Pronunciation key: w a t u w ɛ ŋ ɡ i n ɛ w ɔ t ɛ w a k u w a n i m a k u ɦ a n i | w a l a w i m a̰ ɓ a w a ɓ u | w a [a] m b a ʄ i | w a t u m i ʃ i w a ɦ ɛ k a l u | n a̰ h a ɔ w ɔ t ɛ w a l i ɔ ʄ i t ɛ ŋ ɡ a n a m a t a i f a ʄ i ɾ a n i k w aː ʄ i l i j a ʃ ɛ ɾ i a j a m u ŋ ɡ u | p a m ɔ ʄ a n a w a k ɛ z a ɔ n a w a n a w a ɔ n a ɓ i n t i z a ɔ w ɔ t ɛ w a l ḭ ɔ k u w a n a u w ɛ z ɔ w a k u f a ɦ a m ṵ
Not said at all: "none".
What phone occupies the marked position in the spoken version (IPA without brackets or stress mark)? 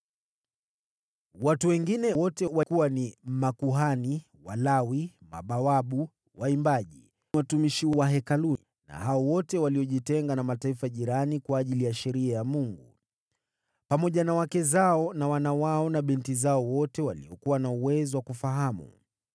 i